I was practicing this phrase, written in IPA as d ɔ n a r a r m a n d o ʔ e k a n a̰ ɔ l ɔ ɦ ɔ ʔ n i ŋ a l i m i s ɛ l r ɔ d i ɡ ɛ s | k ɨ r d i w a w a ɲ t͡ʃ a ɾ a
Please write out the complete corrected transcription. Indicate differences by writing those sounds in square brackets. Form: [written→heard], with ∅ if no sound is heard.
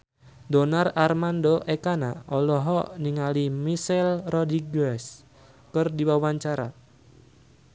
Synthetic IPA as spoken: d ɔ n a r a r m a n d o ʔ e k a n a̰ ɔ l ɔ ɦ ɔ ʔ n i ŋ a l i m i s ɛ l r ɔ d i ɡ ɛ s | k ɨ r d i w a w a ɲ t͡ʃ a ɾ a